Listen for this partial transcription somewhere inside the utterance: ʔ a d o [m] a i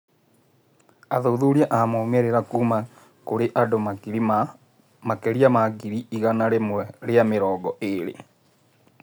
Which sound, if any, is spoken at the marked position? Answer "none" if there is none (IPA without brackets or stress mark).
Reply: m